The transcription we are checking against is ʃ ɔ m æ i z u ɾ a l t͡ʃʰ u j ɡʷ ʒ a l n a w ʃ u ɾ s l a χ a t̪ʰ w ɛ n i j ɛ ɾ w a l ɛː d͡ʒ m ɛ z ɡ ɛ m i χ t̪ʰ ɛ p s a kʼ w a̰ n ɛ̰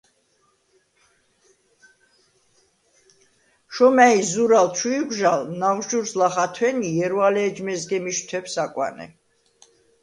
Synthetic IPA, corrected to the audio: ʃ ɔ m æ i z u ɾ a l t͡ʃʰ u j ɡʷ ʒ a l n a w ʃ u ɾ s l a χ a t̪ʰ w ɛ n i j ɛ ɾ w a l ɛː d͡ʒ m ɛ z ɡ ɛ m i ʃ t̪ʰ ɛ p s a kʼ w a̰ n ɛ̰